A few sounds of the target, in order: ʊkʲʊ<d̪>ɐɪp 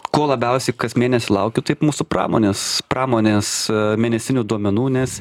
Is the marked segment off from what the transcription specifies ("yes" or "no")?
yes